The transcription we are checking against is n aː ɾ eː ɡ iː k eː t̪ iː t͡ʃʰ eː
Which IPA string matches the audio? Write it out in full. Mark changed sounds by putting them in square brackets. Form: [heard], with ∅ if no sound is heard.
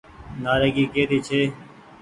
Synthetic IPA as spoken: n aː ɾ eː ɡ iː k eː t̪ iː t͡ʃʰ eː